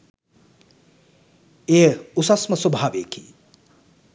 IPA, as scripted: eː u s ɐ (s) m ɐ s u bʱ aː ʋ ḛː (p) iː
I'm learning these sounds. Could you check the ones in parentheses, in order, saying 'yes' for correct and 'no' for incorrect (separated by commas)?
yes, no